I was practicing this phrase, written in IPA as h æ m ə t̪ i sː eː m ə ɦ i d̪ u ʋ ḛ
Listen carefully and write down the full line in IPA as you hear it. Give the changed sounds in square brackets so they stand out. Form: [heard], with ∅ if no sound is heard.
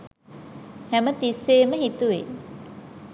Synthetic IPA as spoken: h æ m ə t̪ i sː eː m ə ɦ i [t̪] u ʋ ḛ